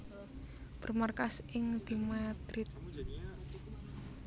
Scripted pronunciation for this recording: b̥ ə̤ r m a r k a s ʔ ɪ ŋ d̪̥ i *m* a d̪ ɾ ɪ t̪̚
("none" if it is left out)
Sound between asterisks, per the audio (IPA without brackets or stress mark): m